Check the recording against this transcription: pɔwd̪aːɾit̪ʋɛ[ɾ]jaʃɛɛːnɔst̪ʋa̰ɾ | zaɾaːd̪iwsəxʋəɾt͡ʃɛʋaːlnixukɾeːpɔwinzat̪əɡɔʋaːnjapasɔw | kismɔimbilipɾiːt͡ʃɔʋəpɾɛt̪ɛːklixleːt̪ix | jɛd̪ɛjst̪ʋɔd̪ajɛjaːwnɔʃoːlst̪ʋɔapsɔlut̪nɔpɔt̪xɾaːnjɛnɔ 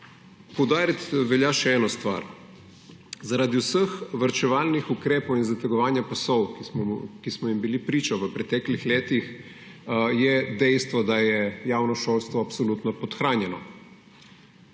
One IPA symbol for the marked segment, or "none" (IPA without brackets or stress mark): l